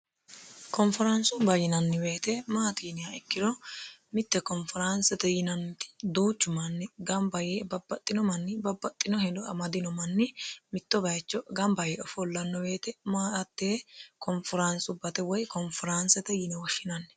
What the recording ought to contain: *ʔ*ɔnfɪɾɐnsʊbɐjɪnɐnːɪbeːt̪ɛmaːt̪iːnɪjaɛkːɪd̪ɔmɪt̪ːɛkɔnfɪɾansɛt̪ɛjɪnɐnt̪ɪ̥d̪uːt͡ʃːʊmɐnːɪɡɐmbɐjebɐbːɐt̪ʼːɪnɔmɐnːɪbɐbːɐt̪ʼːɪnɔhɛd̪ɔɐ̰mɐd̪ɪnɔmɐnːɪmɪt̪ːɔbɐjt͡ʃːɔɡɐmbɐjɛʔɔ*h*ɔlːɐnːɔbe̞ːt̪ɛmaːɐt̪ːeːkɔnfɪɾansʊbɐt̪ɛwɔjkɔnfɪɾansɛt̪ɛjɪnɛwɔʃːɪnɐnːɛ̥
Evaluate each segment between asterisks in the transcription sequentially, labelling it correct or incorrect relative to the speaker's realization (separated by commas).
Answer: incorrect, incorrect